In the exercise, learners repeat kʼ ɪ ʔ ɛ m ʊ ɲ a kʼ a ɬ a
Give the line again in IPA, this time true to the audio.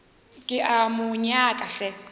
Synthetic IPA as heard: kʼ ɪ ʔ a m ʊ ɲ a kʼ a ɬ ɛ

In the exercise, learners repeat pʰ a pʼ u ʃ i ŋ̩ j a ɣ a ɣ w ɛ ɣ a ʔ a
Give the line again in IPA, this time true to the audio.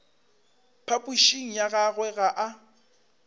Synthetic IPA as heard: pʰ a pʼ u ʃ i ŋ̩ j a ɣ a ɣ w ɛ ɣ a ʔ a

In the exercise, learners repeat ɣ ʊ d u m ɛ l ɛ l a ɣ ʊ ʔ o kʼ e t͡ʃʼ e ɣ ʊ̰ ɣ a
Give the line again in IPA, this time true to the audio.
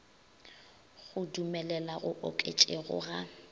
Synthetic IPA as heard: ɣ ʊ d u m ɛ l ɛ l a ɣ ʊ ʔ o kʼ e t͡ʃʼ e ɣ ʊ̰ ɣ a

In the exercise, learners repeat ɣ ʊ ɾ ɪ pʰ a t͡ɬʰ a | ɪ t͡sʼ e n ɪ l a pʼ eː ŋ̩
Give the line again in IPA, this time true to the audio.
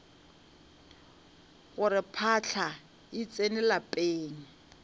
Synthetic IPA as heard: ɣ ʊ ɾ ɪ pʰ a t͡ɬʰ a | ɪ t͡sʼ e n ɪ l a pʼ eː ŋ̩

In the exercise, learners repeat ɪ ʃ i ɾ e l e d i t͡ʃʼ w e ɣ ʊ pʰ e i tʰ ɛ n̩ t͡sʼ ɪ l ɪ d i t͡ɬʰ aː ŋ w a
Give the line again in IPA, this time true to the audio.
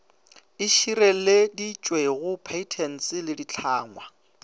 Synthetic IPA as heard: ɪ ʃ i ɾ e l e d i t͡ʃʼ w e ɣ ʊ pʰ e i tʰ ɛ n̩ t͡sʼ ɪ l ɪ d i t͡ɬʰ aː ŋ w a

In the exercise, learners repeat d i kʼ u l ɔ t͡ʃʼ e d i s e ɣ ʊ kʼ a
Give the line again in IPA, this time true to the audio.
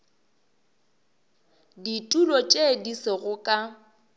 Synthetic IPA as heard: d i tʼ u l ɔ t͡ʃʼ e d i s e ɣ ʊ kʼ a

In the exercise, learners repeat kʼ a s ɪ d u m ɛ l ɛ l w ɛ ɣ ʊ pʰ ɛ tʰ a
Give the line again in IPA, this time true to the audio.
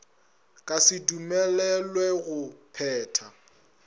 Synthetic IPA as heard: kʼ a s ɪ d u m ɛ l ɛ l w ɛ ɣ ʊ pʰ ɛː tʰ a

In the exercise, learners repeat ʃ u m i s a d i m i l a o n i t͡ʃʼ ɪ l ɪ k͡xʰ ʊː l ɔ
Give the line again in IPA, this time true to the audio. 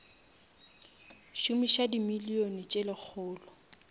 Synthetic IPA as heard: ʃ u m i ʃ a d i m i l i o n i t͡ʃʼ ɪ l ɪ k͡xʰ ʊː l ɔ

